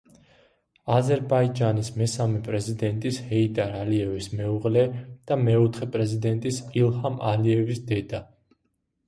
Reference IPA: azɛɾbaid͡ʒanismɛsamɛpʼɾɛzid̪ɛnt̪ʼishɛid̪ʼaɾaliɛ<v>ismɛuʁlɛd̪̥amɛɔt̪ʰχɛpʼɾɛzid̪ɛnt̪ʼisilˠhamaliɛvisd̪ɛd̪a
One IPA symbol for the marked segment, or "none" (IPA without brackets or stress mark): v